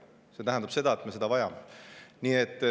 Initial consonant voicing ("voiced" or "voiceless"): voiceless